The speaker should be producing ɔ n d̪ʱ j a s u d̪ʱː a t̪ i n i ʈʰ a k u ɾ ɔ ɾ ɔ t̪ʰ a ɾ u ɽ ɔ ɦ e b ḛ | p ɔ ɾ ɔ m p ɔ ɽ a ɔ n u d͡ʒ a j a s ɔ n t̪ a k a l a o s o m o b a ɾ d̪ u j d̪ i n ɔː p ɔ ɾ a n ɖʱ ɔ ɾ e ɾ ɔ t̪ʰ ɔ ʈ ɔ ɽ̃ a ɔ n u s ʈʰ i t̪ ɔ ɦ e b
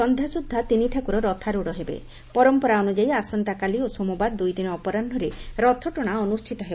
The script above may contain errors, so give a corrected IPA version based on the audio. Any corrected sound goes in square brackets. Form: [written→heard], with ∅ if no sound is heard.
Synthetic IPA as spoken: ɔ n d̪ʱ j a s u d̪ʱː a t̪ i n i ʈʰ a k u ɾ ɔ ɾ ɔ t̪ʰ a ɾ u ɽ ɔ ɦ e b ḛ | p ɔ ɾ ɔ m p ɔ [ɽ→ɾ] a ɔ n u d͡ʒ a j a s ɔ n t̪ a k a l [a→i] o s o m [o→u] b a ɾ d̪ u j d̪ i n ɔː p ɔ ɾ a n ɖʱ ɔ ɾ e ɾ ɔ t̪ʰ ɔ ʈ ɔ ɽ̃ a ɔ n u s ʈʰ i t̪ ɔ ɦ e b